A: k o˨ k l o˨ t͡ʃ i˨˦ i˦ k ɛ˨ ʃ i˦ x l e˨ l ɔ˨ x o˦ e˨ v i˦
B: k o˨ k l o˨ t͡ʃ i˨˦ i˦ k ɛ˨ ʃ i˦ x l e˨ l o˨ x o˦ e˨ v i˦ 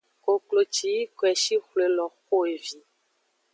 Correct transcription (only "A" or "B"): A